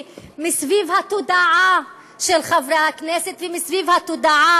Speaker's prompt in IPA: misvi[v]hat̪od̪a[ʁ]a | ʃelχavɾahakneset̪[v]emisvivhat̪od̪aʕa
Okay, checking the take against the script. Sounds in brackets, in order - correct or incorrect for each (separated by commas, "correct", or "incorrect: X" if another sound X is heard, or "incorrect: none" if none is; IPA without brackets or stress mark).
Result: correct, incorrect: ʕ, correct